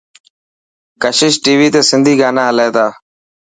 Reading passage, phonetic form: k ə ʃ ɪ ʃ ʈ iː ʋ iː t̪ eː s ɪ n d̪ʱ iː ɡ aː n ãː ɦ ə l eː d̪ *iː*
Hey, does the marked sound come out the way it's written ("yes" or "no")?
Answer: no